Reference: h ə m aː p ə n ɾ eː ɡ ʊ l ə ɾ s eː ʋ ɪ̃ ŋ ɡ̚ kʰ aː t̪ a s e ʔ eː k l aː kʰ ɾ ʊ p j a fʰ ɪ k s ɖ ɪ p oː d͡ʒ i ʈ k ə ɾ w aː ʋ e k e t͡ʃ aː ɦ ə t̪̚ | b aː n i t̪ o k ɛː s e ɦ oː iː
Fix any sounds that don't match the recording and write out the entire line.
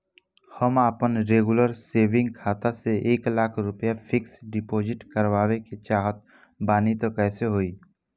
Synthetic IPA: h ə m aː p ə n ɾ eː ɡ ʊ l ə ɾ s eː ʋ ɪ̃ ŋ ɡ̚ kʰ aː t̪ a s e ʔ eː k l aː kʰ ɾ ʊ p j a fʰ ɪ k s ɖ ɪ p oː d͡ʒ ɪ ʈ k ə ɾ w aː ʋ e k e t͡ʃ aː ɦ ə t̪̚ | b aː n i t̪ o k ɛː s e ɦ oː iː